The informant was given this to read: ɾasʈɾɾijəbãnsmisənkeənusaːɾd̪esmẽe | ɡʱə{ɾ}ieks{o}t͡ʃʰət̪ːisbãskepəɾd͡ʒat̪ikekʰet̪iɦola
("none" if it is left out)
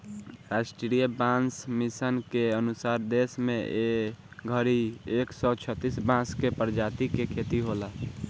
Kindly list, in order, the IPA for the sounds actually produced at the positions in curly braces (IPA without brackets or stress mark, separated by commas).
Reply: ɾ, ɔ